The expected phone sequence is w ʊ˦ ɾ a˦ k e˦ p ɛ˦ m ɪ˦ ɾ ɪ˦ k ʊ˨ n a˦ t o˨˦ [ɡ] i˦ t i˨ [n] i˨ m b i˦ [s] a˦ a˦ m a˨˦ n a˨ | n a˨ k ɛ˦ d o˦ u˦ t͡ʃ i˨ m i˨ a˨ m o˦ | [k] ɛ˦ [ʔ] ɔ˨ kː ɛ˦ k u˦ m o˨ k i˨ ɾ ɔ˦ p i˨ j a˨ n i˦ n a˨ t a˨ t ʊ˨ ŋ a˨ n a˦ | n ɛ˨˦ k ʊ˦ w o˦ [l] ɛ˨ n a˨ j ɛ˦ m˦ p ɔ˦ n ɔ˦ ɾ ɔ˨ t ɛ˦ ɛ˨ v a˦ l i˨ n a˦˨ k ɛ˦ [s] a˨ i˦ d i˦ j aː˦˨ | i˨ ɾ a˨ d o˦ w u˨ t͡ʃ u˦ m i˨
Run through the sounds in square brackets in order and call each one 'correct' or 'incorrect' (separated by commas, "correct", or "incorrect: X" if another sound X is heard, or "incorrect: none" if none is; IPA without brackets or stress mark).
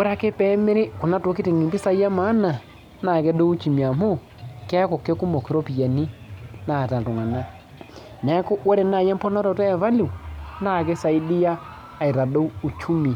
incorrect: k, incorrect: ŋ, correct, correct, incorrect: k, incorrect: ɾ, correct